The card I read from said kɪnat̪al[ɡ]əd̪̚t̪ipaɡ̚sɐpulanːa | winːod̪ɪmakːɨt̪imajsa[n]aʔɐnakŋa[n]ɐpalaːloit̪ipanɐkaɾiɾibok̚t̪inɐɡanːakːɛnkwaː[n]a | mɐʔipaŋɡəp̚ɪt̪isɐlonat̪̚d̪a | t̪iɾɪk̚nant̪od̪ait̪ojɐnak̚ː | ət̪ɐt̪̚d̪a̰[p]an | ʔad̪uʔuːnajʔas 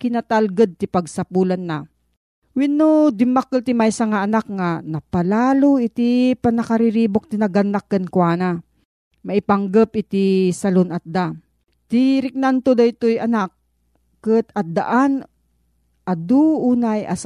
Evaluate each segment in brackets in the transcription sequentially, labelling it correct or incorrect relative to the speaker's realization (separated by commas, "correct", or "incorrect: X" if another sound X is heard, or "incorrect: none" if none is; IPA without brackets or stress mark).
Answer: correct, incorrect: ŋ, correct, correct, incorrect: ʔ